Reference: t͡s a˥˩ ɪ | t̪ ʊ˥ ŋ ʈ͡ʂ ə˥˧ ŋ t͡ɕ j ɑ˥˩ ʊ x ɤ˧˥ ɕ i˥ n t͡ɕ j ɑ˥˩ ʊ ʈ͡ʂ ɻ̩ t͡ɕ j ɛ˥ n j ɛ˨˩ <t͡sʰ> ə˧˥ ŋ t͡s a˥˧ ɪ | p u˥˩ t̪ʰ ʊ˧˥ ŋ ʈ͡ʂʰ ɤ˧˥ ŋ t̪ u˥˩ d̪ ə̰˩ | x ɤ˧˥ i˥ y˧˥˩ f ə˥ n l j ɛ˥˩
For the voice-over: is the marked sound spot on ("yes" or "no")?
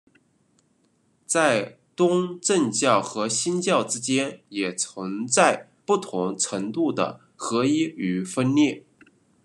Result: yes